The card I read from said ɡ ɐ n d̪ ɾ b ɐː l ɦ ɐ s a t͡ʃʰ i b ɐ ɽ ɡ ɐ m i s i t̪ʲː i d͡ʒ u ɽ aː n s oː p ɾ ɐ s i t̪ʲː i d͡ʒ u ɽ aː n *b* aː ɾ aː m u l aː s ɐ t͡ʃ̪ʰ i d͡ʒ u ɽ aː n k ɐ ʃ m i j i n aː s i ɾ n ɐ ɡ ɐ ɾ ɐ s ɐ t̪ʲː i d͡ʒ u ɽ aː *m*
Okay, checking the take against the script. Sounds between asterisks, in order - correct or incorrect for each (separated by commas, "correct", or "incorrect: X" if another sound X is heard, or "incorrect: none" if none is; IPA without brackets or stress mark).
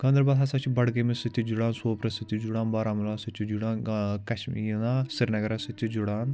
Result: correct, incorrect: n